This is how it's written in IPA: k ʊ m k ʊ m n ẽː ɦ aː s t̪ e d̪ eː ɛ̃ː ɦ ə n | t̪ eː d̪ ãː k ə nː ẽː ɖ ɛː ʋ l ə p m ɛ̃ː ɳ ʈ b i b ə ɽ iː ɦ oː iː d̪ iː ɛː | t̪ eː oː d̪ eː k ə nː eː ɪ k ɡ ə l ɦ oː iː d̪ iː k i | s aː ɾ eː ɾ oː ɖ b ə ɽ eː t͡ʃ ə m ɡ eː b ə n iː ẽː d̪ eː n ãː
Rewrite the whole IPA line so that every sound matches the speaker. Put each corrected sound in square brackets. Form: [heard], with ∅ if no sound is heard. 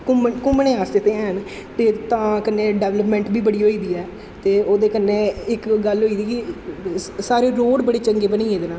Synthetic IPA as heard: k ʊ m k ʊ m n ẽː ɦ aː s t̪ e [t̪] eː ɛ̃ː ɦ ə n | t̪ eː [t̪] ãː k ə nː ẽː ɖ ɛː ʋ l ə p m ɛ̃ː ɳ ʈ b [iː] b ə ɽ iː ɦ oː iː d̪ iː ɛː | t̪ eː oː d̪ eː k ə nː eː ɪ k ɡ ə l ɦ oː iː d̪ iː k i | s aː ɾ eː ɾ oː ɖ b ə ɽ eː t͡ʃ ə [ŋ] ɡ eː b ə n iː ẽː d̪ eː n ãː